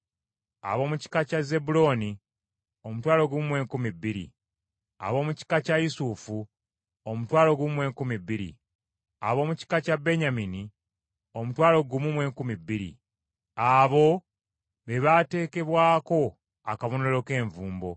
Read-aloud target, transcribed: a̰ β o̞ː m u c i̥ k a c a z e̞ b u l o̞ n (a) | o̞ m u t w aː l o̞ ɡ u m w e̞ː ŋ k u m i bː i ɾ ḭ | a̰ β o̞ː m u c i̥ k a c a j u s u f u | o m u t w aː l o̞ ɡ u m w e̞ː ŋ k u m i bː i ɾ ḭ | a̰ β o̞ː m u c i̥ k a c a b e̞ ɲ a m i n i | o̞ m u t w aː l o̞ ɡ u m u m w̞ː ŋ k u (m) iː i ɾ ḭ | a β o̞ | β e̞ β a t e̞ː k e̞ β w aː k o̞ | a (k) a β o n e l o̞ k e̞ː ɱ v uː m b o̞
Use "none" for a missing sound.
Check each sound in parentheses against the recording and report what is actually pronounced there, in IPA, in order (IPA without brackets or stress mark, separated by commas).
i, m, k